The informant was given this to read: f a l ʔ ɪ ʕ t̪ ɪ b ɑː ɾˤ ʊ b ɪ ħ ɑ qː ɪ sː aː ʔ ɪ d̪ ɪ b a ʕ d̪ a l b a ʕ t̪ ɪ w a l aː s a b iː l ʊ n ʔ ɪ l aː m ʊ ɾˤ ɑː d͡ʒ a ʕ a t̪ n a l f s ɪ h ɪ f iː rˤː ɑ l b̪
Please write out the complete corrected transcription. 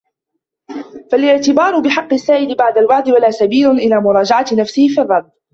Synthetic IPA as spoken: f a l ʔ ɪ ʕ t̪ ɪ b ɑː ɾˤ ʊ b ɪ ħ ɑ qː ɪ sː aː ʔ ɪ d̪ ɪ b a ʕ d̪ a l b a ʕ d̪ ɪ w a l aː s a b iː l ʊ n ʔ ɪ l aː m ʊ ɾˤ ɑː d͡ʒ a ʕ a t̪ n a f s ɪ h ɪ f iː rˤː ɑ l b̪